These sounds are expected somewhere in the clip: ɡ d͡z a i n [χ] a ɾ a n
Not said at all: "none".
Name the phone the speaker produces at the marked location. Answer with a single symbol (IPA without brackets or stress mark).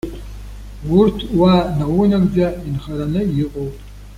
χ